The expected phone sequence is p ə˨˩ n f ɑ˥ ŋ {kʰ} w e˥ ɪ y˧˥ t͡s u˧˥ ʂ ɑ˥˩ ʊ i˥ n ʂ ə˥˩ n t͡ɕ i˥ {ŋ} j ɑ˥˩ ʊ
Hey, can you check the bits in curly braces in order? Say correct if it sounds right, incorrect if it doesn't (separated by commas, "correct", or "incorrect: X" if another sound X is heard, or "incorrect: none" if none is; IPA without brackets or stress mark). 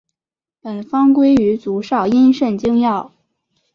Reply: incorrect: k, correct